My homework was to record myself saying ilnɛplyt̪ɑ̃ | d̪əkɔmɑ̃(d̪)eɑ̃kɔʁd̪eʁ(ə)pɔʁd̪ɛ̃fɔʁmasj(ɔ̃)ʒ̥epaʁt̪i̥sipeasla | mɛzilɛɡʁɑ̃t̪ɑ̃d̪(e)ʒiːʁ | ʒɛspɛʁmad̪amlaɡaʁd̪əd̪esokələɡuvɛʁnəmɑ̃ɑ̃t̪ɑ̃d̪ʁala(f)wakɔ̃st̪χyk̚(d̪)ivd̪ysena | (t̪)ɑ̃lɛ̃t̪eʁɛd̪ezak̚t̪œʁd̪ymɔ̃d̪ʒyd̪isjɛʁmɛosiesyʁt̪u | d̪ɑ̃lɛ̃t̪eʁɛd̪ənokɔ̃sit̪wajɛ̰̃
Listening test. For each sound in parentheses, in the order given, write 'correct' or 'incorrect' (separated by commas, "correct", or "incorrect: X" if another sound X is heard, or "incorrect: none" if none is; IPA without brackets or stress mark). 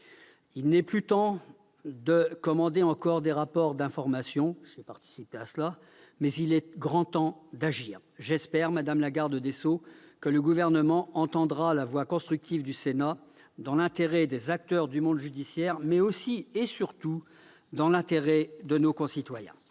correct, incorrect: a, correct, incorrect: a, incorrect: v, incorrect: t̪, incorrect: d̪